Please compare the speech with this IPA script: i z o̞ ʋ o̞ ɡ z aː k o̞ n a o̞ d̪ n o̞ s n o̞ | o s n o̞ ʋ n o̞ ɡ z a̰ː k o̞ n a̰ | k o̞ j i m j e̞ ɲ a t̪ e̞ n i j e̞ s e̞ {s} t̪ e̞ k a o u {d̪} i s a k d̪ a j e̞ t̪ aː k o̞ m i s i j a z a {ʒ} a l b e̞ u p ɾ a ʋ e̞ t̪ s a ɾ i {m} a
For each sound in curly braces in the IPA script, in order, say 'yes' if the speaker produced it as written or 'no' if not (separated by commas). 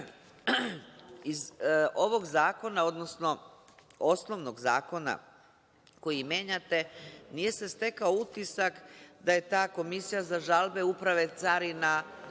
yes, no, yes, no